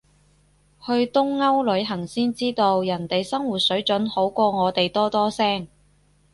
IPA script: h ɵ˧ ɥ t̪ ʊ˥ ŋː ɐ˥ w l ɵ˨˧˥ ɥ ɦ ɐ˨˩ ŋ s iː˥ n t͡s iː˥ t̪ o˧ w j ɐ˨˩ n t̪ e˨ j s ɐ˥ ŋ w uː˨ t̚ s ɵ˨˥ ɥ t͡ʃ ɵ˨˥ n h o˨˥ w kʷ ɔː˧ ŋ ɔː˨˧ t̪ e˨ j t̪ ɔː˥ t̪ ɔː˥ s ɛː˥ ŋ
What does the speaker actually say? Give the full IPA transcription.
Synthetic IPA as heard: h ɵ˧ ɥ t̪ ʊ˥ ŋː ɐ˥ w l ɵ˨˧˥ ɥ ɦ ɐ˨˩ ŋ s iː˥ n t͡s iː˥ t̪ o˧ w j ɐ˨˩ n t̪ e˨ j s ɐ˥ ŋ w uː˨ t̚ s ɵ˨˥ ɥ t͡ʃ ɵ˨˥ n h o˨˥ w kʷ ɔː˧ ŋ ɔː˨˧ t̪ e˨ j t̪ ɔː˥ t̪ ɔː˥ s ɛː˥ ŋ